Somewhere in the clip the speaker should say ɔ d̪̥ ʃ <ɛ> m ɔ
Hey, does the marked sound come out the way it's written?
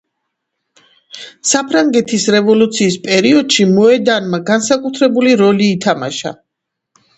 no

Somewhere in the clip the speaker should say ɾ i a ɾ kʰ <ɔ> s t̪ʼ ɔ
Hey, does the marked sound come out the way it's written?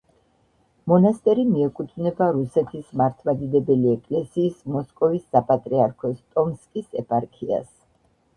yes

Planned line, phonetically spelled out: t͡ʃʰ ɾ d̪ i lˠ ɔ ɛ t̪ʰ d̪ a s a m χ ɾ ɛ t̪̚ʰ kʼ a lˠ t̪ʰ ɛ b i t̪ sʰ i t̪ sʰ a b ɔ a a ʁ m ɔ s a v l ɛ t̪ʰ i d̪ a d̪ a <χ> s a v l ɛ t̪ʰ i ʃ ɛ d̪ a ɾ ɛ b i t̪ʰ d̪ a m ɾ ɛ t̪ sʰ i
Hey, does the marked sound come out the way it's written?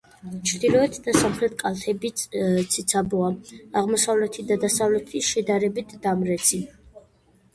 no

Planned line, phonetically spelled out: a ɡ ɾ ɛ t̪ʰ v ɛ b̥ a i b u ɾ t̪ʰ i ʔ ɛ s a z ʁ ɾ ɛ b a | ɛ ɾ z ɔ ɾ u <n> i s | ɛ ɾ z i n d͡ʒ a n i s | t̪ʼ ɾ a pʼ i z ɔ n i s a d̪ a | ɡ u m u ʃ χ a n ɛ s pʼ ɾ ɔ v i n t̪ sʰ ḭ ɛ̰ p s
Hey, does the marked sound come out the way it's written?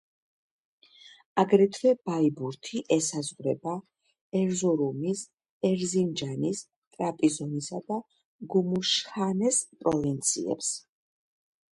no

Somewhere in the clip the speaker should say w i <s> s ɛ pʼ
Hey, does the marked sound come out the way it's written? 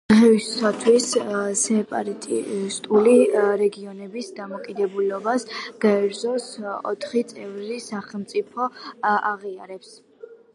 yes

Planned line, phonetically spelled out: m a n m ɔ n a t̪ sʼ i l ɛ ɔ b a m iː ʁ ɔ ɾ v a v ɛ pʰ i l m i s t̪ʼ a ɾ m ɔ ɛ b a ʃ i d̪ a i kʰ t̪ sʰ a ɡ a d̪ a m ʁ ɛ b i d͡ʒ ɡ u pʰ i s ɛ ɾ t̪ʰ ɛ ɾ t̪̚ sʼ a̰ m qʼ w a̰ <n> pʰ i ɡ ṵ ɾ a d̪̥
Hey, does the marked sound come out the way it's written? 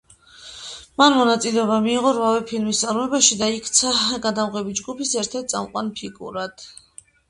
yes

